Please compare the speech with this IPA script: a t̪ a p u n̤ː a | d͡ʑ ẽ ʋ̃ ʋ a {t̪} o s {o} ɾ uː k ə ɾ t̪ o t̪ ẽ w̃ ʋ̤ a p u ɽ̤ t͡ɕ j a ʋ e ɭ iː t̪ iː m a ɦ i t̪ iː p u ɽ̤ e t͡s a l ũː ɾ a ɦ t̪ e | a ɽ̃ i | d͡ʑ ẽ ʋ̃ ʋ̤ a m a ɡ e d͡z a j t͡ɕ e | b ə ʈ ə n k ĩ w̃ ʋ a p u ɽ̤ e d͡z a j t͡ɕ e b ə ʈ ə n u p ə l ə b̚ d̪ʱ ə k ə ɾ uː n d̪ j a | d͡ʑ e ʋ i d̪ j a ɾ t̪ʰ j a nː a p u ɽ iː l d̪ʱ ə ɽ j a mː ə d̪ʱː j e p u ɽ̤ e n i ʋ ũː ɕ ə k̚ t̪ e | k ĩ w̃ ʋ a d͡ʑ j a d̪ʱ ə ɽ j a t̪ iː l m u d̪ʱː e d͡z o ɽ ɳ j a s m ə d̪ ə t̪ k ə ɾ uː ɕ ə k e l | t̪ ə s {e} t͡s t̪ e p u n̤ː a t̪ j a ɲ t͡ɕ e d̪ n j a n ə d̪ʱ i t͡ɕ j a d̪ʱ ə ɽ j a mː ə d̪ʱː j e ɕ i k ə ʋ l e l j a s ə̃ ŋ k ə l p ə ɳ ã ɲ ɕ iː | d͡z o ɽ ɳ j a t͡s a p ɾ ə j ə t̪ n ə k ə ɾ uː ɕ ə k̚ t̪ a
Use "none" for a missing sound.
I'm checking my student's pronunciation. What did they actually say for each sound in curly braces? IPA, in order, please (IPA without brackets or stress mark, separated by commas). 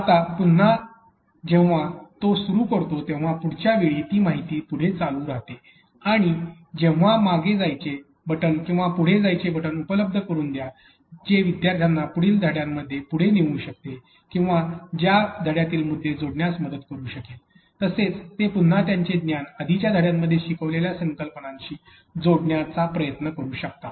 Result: t̪, u, e